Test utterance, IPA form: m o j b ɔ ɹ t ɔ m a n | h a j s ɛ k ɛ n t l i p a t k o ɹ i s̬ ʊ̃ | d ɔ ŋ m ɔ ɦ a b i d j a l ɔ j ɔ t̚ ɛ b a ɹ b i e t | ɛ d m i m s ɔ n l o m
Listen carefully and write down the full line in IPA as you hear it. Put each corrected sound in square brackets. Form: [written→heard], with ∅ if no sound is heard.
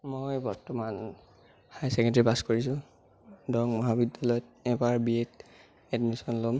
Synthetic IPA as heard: m o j b ɔ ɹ t ɔ m a n | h a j s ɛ k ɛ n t [l→ɹ] i p a [t→s] k o ɹ i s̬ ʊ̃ | d ɔ ŋ m ɔ ɦ a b i d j a l ɔ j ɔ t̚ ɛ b a ɹ b i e t | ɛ d m i [m→∅] s ɔ n l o m